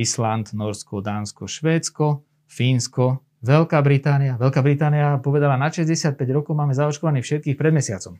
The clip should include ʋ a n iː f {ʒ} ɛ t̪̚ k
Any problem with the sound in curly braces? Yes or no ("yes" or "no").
yes